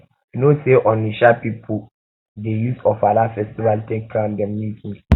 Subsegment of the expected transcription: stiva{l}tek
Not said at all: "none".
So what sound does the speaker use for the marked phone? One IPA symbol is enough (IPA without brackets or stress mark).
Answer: l